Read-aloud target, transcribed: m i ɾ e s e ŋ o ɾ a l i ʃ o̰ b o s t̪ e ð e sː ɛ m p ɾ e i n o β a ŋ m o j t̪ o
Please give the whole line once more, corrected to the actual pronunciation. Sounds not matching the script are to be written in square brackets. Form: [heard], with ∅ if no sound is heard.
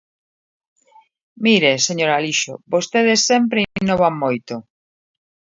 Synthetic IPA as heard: m i ɾ e s e [ɲ] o ɾ a l i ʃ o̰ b o s t̪ e ð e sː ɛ m p ɾ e i n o β a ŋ m o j t̪ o

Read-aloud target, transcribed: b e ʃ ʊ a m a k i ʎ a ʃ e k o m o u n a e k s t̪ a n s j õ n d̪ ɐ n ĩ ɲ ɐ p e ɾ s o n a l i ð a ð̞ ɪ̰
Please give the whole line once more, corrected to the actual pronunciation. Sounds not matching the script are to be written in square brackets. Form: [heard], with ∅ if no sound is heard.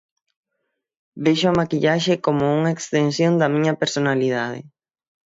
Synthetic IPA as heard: b e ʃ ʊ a m a k i ʎ a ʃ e k o m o u [ŋ] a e k s t̪ [e] n s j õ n d̪ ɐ [m] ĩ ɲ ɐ p e ɾ s o n a l i ð a ð̞ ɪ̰

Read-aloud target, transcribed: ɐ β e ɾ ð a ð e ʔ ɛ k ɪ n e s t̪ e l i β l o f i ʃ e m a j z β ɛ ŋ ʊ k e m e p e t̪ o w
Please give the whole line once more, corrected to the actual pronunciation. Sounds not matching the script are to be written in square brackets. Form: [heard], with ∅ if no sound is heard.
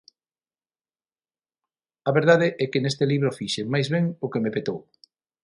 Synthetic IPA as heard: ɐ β e ɾ ð a ð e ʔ ɛ k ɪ n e s t̪ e l i β [ɾ] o f i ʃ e m a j z β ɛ ŋ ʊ k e m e p e t̪ o w

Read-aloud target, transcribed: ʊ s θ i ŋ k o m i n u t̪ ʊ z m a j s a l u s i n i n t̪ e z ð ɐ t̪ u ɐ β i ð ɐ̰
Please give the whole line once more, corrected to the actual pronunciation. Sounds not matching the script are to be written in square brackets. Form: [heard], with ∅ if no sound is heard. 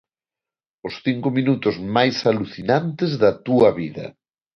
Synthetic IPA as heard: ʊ s θ i ŋ k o m i n u t̪ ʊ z m a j s a l u [θ] i n [a] n t̪ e z ð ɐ t̪ u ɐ β i ð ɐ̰

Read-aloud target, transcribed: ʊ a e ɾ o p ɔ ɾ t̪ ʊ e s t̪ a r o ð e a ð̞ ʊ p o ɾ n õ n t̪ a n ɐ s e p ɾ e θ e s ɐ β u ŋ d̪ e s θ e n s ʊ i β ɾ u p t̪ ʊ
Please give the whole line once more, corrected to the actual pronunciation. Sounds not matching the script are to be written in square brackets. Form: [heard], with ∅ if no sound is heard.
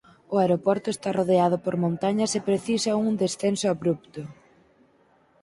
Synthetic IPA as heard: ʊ a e ɾ o p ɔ ɾ t̪ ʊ e s t̪ a r o ð e a ð̞ ʊ p o ɾ [m] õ n t̪ a [ɲ] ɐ s e p ɾ e θ [i] s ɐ [∅] u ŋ d̪ e s θ e n s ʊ [a] β ɾ u p t̪ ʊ

